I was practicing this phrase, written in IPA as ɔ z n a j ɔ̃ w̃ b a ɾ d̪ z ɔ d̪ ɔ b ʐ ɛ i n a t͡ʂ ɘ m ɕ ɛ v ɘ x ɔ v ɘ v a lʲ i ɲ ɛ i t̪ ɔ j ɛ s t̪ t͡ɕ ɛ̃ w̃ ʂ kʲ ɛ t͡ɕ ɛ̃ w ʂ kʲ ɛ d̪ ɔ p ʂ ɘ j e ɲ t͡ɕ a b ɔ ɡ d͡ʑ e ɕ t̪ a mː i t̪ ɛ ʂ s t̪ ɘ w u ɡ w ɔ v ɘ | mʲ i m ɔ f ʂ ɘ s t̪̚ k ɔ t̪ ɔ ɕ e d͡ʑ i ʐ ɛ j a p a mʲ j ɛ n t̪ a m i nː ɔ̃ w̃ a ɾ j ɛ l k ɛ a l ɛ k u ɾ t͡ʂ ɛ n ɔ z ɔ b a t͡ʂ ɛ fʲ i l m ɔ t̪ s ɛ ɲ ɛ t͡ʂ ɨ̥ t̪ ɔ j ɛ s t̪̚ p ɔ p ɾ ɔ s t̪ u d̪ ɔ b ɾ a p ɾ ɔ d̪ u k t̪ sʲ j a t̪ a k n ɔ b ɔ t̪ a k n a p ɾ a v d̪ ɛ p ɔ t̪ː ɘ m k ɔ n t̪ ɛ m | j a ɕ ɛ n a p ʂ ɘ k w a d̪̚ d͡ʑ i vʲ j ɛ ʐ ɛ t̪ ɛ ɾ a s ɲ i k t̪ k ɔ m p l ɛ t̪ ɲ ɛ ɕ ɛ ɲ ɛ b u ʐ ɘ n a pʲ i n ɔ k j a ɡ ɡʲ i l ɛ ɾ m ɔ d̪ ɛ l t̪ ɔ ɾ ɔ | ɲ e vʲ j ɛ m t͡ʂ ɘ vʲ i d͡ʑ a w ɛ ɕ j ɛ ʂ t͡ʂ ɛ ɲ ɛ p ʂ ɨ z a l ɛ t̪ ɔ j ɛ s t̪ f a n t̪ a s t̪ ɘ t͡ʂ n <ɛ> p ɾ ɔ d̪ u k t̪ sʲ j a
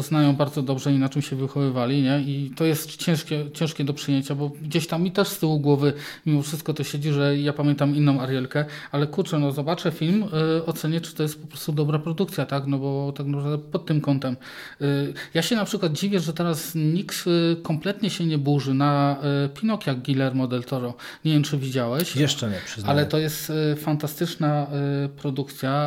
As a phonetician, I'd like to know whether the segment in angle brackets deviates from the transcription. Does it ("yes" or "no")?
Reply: yes